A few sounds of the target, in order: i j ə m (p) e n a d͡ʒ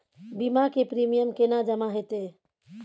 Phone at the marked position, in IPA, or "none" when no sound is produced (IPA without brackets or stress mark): k